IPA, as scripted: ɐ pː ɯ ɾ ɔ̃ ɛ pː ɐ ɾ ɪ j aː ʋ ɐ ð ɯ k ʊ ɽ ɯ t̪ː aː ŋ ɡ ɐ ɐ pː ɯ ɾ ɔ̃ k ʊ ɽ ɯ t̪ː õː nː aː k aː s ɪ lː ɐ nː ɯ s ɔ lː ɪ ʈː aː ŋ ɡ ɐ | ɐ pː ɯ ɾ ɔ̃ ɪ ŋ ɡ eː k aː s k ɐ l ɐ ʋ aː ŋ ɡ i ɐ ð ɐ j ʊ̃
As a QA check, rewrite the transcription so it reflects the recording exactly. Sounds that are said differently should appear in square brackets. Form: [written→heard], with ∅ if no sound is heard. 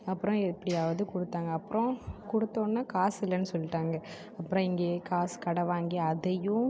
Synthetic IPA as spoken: ɐ pː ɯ ɾ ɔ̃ ɛ pː ɐ [ɾ→ɽ] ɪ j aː ʋ ɐ ð ɯ k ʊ ɽ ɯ t̪ː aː ŋ ɡ ɐ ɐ pː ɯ ɾ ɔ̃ k ʊ ɽ ɯ t̪ː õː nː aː k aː s ɪ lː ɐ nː ɯ s ɔ lː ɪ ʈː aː ŋ ɡ ɐ | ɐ pː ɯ ɾ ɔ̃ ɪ ŋ ɡ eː k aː s k ɐ [l→ɽ] ɐ ʋ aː ŋ ɡ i ɐ ð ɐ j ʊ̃

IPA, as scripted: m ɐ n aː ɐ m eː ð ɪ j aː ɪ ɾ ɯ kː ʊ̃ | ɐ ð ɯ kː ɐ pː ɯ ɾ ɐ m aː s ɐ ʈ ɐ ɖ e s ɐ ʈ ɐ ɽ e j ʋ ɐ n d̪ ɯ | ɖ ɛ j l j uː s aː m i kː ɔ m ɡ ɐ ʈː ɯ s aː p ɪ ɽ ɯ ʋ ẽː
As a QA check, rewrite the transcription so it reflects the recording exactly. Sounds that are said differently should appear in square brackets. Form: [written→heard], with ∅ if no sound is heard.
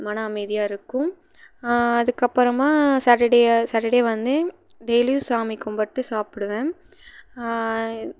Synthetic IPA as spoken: m ɐ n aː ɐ m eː ð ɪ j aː ɪ ɾ ɯ kː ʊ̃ | ɐ ð ɯ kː ɐ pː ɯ ɾ ɐ m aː s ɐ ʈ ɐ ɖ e s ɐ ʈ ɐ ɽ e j ʋ ɐ n d̪ ɯ | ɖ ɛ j l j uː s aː m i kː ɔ m [ɡ→b] ɐ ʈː ɯ s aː p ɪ ɽ ɯ ʋ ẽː

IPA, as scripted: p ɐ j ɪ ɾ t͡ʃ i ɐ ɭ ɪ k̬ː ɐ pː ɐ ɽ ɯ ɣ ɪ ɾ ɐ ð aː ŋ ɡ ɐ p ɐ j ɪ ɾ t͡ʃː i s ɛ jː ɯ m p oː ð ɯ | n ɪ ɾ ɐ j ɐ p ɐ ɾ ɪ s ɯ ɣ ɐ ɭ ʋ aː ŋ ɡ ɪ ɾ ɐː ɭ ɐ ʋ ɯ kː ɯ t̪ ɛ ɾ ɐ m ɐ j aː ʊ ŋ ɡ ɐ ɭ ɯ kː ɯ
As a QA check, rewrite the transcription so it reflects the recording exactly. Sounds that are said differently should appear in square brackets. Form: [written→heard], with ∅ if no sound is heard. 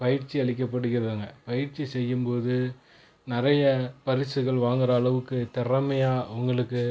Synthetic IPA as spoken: p ɐ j ɪ ɾ t͡ʃ i ɐ ɭ ɪ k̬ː ɐ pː ɐ ɽ ɯ ɣ ɪ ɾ ɐ ð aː ŋ ɡ ɐ p ɐ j ɪ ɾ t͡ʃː i s ɛ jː ɯ m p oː ð ɯ | n ɪ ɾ ɐ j ɐ p ɐ ɾ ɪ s ɯ ɣ ɐ ɭ ʋ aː ŋ ɡ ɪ ɾ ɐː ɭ ɐ ʋ ɯ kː ɯ t̪ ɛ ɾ ɐ m ɐ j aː ʊ ŋ ɡ ɐ ɭ ɯ kː ɯ

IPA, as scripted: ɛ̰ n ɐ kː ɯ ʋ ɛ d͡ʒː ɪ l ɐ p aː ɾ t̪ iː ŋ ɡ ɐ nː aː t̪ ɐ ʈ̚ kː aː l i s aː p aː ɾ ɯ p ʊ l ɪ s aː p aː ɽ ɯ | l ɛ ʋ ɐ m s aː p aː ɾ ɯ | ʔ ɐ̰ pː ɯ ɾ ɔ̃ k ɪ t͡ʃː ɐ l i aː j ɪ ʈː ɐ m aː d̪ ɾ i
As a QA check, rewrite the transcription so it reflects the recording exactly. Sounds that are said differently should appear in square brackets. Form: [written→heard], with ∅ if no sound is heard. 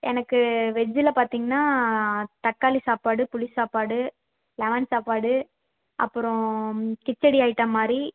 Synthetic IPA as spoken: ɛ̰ n ɐ kː ɯ ʋ ɛ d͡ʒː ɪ l ɐ p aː ɾ t̪ iː ŋ ɡ ɐ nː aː t̪ ɐ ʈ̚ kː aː l i s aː p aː [ɾ→ɽ] ɯ p ʊ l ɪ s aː p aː ɽ ɯ | l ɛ ʋ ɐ [m→n] s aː p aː [ɾ→ɽ] ɯ | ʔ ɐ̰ pː ɯ ɾ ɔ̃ k ɪ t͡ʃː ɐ [l→ɽ] i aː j ɪ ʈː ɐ m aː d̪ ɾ i

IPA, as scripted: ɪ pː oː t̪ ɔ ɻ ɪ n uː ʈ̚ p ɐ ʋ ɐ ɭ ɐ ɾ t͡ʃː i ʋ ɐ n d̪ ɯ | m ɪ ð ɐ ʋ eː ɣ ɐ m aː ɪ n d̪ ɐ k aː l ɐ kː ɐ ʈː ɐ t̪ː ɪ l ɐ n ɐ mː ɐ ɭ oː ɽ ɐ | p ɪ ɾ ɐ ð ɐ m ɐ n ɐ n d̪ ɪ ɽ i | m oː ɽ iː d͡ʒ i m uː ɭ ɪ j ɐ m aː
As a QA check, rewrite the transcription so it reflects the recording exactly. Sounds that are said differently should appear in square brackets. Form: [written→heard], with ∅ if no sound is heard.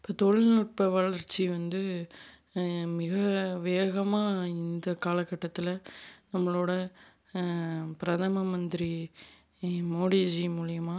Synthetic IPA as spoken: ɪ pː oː t̪ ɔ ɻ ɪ n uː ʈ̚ p ɐ ʋ ɐ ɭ ɐ ɾ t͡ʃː i ʋ ɐ n d̪ ɯ | m ɪ [ð→ɣ] ɐ ʋ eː ɣ ɐ m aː ɪ n d̪ ɐ k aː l ɐ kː ɐ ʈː ɐ t̪ː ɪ l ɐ n ɐ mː ɐ ɭ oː ɽ ɐ | p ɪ ɾ ɐ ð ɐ m ɐ [n→m] ɐ n d̪ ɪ [ɽ→ɾ] i | m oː ɽ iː d͡ʒ i m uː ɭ ɪ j ɐ m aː

